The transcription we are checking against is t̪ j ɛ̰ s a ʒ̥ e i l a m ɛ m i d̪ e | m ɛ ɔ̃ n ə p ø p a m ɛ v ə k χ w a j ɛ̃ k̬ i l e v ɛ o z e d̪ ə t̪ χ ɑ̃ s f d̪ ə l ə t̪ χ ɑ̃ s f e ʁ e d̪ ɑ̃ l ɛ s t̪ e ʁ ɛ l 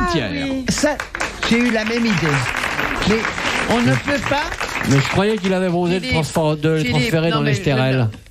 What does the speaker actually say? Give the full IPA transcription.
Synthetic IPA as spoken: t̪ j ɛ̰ s a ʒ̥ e y l a m ɛ m i d̪ e | m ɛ ɔ̃ n ə p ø p a m ɛ ʒ ə k χ w a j ɛ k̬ i l a v ɛ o z e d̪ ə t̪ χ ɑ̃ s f d̪ ə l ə t̪ χ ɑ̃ s f e ʁ e d̪ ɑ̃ l ɛ s t̪ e ʁ ɛ l